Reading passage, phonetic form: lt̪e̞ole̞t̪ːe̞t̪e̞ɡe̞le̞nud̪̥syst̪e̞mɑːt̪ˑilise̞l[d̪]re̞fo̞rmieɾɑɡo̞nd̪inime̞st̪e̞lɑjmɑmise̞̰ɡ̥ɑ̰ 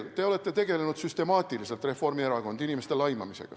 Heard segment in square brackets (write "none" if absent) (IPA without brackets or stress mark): t̪